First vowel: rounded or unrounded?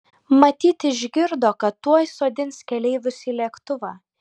unrounded